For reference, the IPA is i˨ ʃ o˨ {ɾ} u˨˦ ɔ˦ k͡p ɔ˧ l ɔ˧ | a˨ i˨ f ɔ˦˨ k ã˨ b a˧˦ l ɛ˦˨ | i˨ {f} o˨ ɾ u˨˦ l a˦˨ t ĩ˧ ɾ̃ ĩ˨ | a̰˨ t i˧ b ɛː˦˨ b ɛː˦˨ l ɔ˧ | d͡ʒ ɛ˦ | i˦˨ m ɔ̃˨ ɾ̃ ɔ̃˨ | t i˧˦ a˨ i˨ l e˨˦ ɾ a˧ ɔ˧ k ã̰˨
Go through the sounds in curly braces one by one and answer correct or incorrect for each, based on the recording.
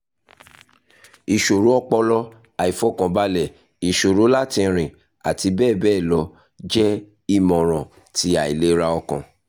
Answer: correct, incorrect: ʃ

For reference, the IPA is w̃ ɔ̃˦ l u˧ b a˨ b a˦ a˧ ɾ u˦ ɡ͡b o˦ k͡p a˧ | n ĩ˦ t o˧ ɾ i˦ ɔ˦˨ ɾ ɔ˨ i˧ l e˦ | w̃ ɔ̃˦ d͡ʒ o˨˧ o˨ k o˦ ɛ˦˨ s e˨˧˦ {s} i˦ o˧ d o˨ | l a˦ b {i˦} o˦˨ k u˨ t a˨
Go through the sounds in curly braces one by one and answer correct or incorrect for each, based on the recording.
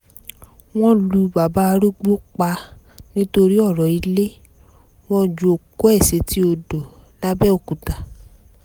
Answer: incorrect: t, incorrect: ɛ˦

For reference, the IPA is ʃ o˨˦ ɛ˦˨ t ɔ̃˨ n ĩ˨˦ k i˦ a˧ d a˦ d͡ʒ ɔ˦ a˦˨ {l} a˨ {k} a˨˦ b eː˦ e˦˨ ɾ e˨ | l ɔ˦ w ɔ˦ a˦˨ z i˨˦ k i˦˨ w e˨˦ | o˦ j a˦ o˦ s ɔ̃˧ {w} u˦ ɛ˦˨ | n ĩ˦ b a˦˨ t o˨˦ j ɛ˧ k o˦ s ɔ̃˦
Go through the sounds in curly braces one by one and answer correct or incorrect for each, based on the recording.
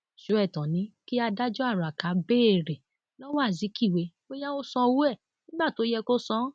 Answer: incorrect: ɾ, correct, correct

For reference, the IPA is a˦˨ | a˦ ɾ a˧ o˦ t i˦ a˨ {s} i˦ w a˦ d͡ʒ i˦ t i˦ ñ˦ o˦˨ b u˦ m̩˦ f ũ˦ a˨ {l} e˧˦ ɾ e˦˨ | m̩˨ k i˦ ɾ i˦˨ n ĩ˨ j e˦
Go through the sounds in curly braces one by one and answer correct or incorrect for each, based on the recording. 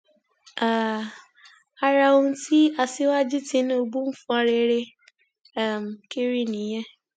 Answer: correct, incorrect: ɾ

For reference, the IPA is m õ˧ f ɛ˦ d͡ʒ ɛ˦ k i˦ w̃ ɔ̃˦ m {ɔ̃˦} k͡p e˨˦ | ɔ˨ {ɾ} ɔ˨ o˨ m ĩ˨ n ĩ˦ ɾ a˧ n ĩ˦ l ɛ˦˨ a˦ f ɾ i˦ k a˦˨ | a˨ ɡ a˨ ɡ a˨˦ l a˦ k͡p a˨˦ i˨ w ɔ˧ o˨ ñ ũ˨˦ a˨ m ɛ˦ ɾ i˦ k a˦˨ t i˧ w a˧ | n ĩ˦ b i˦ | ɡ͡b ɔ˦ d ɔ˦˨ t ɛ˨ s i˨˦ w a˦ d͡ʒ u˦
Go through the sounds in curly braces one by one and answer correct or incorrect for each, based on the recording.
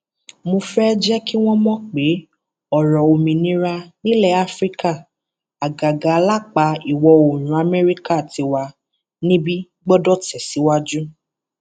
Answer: correct, correct

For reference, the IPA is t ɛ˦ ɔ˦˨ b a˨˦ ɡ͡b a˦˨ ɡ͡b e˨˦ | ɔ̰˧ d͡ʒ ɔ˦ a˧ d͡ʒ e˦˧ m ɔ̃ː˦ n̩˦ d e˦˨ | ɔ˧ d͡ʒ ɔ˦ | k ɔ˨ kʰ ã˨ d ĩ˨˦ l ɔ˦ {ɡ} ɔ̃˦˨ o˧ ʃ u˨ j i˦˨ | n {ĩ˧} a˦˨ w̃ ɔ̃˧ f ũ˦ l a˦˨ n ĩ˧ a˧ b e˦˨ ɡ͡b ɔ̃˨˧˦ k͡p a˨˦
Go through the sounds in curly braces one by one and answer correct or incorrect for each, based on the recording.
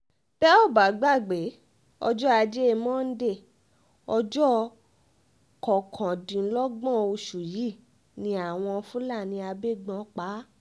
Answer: incorrect: ɡ͡b, correct

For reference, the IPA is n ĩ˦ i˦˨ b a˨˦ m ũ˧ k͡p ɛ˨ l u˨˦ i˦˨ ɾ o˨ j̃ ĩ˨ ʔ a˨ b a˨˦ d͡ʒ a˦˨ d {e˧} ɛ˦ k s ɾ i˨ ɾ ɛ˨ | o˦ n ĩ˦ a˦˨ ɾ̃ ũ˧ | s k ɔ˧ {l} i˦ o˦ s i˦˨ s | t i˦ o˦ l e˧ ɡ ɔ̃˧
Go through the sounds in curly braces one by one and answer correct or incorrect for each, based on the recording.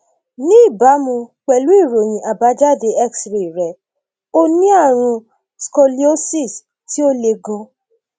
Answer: correct, correct

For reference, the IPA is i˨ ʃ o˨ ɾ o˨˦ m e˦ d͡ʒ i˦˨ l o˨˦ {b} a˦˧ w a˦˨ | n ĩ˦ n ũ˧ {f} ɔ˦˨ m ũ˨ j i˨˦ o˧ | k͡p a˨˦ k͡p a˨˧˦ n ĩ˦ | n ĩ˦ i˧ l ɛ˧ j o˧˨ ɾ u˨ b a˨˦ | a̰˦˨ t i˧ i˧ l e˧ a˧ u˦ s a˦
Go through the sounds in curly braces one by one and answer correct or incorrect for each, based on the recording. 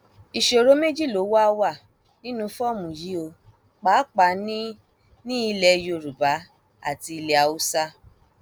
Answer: incorrect: w, correct

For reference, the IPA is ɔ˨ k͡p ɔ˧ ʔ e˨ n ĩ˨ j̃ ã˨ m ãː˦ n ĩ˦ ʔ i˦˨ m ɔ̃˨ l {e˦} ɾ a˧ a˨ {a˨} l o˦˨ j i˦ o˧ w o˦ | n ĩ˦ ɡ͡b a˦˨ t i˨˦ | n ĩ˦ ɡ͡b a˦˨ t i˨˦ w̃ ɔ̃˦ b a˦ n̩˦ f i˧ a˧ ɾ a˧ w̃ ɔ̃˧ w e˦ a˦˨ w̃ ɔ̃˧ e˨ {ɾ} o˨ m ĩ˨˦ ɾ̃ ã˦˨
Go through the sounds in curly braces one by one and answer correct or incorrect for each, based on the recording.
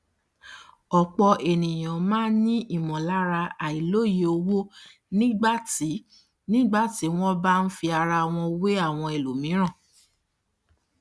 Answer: incorrect: a˦, incorrect: i˨, incorrect: l

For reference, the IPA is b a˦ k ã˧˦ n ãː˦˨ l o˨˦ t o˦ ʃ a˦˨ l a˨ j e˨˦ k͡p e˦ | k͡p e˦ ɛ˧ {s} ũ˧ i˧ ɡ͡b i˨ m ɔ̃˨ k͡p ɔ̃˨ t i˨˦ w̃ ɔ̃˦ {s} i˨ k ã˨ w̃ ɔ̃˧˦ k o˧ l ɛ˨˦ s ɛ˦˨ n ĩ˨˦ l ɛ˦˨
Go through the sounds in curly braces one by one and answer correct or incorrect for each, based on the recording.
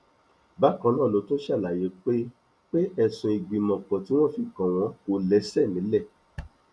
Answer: correct, incorrect: f

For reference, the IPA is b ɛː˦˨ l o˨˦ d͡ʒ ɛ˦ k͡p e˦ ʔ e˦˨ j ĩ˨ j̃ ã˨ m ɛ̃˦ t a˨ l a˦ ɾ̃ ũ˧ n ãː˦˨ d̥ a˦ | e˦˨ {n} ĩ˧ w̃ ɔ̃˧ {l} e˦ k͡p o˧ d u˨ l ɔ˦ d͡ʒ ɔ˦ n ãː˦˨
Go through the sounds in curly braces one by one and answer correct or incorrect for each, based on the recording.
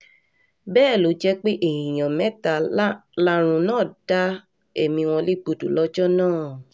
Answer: incorrect: m, correct

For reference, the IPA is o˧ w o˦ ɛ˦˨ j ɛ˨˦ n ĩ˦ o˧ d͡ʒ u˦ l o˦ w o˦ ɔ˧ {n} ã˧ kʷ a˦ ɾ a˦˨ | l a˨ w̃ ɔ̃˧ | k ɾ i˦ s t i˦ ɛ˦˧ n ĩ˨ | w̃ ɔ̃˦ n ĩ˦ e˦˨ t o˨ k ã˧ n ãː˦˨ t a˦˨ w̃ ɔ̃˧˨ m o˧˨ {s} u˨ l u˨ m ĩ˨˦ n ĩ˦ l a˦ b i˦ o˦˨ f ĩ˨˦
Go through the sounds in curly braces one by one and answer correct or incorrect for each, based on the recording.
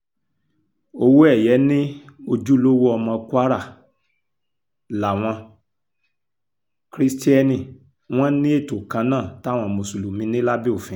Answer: incorrect: m, correct

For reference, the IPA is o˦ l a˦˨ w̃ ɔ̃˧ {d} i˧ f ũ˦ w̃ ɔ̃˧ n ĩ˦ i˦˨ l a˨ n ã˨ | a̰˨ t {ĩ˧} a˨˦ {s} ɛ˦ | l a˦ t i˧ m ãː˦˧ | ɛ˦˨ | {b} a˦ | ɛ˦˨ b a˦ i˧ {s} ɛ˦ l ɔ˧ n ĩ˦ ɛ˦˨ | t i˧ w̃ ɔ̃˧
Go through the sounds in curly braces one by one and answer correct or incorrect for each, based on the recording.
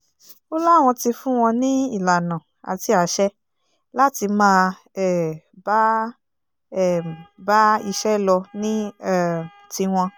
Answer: incorrect: t, incorrect: i˧, incorrect: ʃ, correct, incorrect: ʃ

